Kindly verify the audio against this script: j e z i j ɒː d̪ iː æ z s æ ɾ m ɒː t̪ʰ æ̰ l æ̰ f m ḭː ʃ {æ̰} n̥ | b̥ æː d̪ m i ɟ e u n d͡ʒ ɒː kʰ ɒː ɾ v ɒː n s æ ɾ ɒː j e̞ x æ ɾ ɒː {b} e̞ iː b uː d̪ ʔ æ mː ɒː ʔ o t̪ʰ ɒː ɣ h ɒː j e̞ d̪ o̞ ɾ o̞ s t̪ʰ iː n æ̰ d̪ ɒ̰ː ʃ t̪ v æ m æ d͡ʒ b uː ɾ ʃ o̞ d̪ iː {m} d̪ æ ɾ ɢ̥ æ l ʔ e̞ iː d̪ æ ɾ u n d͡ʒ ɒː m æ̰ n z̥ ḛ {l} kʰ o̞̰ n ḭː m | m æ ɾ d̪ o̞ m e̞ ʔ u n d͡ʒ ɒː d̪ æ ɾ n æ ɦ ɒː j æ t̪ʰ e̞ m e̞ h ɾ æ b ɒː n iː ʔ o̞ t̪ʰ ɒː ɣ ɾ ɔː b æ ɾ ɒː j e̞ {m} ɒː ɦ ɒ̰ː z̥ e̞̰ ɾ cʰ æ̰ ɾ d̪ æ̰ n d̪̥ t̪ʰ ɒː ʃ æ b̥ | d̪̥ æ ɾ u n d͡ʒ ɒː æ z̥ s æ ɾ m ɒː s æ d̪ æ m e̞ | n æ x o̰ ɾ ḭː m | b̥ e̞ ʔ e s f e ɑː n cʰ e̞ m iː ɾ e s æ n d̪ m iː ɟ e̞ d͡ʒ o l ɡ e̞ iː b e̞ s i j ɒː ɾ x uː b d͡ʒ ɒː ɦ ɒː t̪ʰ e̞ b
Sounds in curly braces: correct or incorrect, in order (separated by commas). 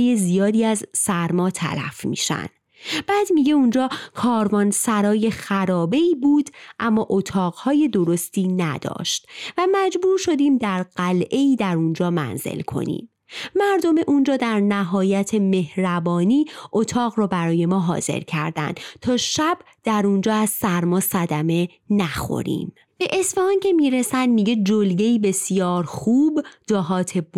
correct, correct, correct, correct, correct